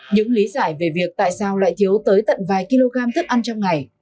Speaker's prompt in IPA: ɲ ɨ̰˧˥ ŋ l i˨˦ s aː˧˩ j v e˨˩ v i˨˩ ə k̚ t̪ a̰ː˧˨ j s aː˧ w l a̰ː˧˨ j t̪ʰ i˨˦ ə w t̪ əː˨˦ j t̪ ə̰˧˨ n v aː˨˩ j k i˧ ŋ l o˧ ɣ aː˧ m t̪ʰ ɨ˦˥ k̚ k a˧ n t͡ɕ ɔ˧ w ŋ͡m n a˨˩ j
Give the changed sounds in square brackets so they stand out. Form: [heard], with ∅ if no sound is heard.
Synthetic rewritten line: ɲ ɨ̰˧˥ ŋ l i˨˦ [z] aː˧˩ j v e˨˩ v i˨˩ ə k̚ t̪ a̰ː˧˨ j s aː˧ w l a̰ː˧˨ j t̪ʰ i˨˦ ə w t̪ əː˨˦ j t̪ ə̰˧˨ n v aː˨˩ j k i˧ [∅] l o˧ ɣ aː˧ m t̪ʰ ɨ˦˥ k̚ [ʔ] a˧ n t͡ɕ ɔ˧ w ŋ͡m [ŋ] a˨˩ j